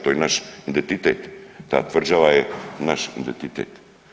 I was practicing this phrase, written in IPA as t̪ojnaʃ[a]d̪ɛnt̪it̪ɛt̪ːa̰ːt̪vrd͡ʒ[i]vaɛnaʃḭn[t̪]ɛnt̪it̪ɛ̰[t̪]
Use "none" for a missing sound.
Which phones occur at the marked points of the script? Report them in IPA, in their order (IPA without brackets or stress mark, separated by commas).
i, a, d̪, t̪